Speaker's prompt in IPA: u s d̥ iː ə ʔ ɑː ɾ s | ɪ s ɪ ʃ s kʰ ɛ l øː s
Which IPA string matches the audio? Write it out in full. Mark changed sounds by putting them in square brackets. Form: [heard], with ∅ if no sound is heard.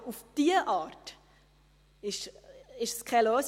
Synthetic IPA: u [f] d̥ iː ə ʔ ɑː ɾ [t] | ɪ [ʃ] ɪ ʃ s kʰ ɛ l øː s